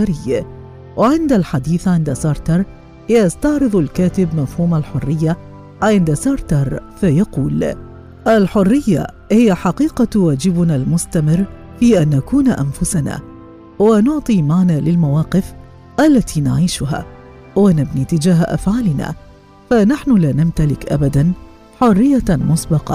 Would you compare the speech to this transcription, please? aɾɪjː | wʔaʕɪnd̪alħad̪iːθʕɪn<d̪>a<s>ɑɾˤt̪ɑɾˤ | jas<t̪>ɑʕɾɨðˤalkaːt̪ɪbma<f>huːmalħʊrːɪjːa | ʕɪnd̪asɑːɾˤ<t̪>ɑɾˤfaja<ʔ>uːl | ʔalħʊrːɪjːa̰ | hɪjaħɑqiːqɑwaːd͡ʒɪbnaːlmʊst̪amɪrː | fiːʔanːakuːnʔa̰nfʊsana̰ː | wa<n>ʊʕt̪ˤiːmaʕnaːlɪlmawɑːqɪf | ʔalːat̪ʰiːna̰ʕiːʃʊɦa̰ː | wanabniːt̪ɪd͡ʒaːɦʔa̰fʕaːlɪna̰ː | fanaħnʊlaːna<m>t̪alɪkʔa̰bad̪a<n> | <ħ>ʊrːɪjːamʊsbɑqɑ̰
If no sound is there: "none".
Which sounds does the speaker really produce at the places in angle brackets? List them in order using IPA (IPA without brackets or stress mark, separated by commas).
d̪, s, t̪, f, t̪, q, n, m, n, ħ